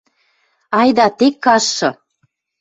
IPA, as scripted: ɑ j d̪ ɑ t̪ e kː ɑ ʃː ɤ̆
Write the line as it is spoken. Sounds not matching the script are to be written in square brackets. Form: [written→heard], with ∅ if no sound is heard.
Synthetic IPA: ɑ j d̪ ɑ t̪ e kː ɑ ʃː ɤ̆